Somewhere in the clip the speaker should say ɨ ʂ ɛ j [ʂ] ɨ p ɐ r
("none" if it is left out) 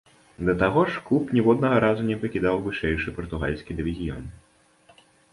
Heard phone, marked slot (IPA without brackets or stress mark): ʂ